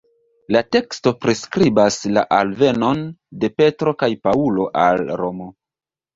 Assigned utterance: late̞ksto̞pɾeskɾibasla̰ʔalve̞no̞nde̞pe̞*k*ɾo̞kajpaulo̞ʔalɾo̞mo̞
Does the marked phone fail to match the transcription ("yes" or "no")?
yes